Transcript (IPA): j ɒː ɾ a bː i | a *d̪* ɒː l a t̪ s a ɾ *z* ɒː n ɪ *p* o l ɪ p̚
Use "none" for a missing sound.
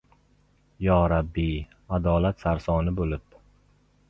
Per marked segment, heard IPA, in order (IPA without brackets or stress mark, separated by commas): d̪, s, b